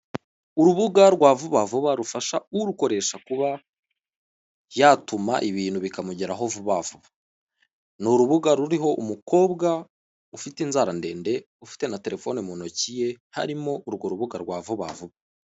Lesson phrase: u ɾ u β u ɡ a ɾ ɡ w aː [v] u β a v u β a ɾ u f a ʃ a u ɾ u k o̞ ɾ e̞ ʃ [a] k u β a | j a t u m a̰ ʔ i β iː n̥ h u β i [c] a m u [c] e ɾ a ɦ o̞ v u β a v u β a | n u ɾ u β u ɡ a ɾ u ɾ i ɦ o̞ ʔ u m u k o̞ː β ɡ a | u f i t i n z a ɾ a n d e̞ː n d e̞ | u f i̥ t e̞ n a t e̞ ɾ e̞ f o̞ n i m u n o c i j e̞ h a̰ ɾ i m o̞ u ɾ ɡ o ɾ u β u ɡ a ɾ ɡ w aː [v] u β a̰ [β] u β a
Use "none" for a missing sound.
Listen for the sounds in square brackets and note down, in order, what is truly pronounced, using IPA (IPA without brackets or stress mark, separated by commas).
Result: v, a, k, ɟ, v, v